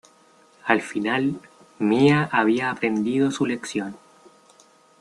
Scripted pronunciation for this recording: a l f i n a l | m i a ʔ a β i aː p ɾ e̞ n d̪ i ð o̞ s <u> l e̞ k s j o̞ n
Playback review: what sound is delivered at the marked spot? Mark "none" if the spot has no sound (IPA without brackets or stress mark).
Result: u